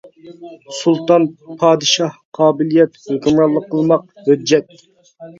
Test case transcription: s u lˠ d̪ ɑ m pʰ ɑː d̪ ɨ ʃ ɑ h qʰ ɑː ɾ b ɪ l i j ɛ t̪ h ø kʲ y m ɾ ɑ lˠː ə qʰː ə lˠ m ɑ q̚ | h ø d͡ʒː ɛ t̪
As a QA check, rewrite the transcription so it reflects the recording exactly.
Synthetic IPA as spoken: s u lˠ t̪ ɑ n pʰ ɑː d̪ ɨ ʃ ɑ h qʰ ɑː b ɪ l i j ɛ t̪ h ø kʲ y m ɾ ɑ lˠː ə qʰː ə lˠ m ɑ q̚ | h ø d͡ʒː ɛ t̪